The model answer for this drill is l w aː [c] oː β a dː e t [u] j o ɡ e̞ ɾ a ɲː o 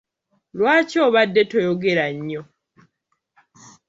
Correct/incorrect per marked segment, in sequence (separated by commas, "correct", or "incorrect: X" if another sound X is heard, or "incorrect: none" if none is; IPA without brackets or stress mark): correct, incorrect: o